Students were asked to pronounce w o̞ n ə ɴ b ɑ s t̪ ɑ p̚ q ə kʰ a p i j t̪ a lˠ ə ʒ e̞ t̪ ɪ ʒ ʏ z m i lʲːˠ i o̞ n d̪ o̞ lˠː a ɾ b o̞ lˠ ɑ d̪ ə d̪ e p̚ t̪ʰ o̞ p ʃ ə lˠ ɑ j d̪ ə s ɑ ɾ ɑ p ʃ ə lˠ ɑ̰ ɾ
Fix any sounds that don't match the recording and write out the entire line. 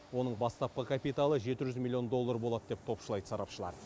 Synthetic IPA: w o̞ n ə ɴ b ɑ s t̪ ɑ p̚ q ə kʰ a p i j t̪ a lˠ ə ʒ e̞ t̪ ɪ ʒ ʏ z m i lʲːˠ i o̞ n d̪ o̞ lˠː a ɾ b o̞ lˠ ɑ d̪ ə d̪ e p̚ t̪ʰ o̞ p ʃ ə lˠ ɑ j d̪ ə s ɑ ɾ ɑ p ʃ ə lˠ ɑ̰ ɾ